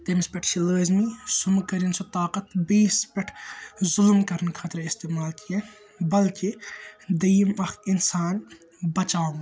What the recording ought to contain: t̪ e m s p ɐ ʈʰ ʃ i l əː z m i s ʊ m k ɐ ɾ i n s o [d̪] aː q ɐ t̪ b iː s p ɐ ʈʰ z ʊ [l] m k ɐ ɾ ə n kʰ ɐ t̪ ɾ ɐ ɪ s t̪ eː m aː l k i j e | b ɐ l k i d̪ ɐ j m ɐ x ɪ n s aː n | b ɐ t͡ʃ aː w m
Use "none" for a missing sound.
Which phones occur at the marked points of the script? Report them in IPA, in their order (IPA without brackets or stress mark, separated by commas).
t̪, l